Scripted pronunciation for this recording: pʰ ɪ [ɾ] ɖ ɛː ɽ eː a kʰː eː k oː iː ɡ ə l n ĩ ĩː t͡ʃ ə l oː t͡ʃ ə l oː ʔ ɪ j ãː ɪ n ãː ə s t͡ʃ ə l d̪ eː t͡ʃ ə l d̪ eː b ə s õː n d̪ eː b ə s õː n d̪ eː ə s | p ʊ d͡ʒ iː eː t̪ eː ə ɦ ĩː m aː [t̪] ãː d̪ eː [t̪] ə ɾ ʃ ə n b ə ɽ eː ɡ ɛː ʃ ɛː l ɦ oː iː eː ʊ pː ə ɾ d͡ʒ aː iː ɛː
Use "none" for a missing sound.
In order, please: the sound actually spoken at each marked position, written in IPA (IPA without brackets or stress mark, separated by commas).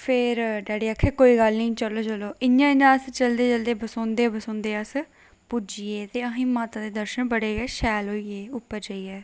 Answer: ɾ, t̪, d̪